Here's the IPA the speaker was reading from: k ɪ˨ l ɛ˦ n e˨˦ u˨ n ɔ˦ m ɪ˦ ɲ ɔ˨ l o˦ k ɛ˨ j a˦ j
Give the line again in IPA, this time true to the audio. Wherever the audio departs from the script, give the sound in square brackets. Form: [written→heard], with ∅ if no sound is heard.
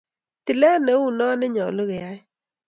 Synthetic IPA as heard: [k→t] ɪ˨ l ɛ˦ n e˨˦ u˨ n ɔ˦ [m→n] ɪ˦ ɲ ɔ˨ l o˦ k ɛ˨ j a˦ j